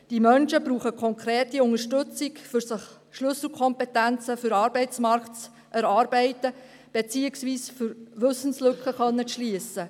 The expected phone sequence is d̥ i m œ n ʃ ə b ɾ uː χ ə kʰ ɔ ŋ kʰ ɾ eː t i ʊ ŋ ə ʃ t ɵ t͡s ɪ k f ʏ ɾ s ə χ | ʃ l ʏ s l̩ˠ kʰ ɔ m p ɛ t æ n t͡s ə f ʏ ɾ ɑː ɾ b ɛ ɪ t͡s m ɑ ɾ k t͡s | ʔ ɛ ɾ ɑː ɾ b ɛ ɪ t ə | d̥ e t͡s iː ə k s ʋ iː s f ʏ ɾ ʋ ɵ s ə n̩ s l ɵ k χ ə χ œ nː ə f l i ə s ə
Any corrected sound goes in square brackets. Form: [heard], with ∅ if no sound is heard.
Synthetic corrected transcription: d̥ i m œ n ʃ ə b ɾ uː χ ə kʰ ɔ ŋ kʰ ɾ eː t i ʊ ŋ ə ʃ t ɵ t͡s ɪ k f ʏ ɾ s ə χ | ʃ l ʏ s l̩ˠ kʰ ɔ m p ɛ t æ n t͡s ə f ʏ ɾ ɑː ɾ b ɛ ɪ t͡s m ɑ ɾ k t͡s | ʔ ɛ ɾ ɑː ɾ b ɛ ɪ t ə | [b̥] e t͡s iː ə k s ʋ iː s f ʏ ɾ ʋ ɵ s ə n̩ s l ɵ k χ ə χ œ nː ə [ʃ] l i ə s ə